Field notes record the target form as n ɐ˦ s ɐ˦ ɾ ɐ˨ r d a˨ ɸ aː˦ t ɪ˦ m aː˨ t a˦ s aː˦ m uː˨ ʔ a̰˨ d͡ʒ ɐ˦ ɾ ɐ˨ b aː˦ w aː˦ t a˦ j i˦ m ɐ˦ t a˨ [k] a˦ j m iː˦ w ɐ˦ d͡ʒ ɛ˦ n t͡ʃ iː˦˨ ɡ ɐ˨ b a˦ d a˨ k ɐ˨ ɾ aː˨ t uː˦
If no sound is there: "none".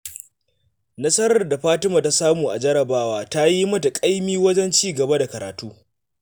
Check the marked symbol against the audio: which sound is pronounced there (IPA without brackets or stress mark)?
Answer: kʼ